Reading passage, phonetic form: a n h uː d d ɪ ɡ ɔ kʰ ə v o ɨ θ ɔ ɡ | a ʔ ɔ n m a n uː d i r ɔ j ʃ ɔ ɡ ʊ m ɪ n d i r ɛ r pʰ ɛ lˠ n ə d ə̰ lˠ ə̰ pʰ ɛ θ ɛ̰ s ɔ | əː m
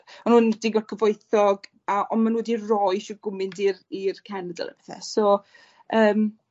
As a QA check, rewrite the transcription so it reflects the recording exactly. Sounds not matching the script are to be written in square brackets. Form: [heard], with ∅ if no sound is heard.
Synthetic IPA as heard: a n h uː [n] d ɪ ɡ ɔ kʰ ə v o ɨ θ ɔ ɡ | a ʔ ɔ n m a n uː d i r ɔ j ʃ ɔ ɡ ʊ m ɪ n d i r [i] r [kʰ] ɛ [∅] n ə d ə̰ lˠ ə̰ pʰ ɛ θ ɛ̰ s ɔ | əː m